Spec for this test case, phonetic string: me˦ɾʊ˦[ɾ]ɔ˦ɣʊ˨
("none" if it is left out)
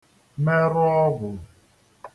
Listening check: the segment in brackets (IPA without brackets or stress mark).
none